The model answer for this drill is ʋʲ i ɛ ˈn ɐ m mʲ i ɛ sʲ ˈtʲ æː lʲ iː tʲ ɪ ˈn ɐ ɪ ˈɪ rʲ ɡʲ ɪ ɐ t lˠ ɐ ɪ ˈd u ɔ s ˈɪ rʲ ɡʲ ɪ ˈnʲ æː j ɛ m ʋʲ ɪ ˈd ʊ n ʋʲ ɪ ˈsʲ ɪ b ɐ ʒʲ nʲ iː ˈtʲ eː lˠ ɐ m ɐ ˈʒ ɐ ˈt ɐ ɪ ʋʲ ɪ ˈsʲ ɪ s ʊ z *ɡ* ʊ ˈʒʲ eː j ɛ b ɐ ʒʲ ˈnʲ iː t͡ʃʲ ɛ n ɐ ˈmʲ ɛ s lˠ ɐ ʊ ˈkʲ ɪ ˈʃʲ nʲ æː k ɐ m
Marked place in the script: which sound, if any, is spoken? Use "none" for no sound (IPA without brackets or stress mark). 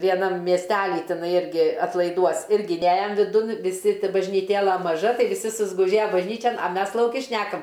ɡ